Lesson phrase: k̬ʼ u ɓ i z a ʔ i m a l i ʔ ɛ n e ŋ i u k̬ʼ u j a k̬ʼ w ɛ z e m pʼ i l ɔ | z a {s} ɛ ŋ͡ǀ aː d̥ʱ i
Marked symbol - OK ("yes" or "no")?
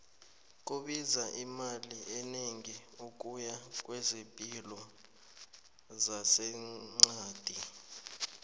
yes